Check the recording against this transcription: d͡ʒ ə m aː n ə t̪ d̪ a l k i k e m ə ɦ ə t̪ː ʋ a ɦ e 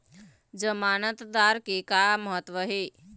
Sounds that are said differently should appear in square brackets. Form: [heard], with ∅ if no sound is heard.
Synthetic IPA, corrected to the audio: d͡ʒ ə m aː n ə t̪ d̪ a [ɾ] k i k [a] m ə ɦ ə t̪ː ʋ [ə] ɦ e